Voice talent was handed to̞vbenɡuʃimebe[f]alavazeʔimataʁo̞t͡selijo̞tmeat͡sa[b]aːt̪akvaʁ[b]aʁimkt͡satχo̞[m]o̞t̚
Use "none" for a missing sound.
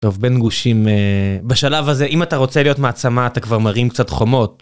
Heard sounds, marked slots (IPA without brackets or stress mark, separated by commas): ʃ, m, m, m